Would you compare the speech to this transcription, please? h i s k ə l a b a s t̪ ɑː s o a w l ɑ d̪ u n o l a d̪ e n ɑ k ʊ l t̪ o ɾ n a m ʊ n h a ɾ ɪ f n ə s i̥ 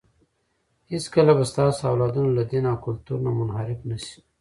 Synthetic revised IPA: h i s k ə l a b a s t̪ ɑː s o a w l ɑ d̪ u n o l a d̪ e n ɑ k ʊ l t̪ u ɾ n a m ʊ n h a ɾ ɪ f n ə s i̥